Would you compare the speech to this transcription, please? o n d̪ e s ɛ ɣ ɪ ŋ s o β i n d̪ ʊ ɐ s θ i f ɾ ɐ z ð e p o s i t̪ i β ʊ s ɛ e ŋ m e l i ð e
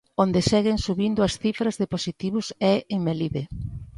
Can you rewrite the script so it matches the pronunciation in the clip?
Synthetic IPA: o n d̪ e s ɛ ɣ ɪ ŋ s u β i n d̪ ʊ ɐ s θ i f ɾ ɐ z ð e p o s i t̪ i β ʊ s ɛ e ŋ m e l i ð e